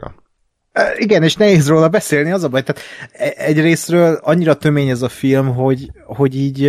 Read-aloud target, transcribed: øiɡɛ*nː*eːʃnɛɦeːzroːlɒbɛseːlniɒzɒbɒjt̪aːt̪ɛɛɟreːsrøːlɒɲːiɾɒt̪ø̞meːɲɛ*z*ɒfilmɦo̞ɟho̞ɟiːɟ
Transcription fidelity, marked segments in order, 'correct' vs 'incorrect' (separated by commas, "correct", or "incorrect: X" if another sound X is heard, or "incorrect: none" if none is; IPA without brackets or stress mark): incorrect: n, correct